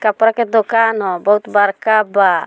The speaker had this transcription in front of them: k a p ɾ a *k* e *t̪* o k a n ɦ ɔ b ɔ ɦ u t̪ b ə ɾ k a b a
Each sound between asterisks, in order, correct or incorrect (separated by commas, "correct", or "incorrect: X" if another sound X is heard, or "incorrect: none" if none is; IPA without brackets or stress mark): correct, incorrect: d̪